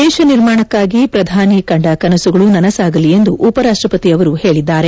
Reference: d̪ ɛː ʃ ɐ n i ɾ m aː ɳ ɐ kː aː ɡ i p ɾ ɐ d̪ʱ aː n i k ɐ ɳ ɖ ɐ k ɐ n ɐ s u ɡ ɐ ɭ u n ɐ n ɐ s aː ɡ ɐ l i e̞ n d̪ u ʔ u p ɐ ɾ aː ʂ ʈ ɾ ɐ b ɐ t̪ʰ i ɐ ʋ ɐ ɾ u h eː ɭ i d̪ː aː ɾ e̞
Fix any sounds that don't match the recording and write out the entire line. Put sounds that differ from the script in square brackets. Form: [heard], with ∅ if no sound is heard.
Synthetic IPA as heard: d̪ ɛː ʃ ɐ n i ɾ m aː ɳ ɐ kː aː ɡ i p ɾ ɐ d̪ʱ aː n i k ɐ ɳ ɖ ɐ k ɐ n ɐ s u ɡ ɐ ɭ u n ɐ n ɐ s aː ɡ ɐ l i e̞ n d̪ u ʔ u p ɐ ɾ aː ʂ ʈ ɾ ɐ [p] ɐ [t̪] i ɐ ʋ ɐ ɾ u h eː ɭ i d̪ː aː ɾ e̞